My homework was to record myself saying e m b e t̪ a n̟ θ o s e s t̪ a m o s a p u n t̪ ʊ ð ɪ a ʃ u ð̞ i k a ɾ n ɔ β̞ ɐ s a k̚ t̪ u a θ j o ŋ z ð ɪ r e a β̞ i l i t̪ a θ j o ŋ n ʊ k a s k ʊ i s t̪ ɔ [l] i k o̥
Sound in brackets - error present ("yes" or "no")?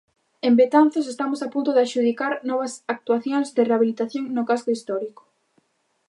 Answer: yes